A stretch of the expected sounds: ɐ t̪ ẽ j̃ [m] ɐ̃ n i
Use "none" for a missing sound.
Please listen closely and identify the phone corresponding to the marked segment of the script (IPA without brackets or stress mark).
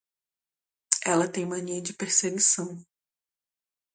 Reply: m